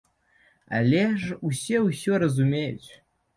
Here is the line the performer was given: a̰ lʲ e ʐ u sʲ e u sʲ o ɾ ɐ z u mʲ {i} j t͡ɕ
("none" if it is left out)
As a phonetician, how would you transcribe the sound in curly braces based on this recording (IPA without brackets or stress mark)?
e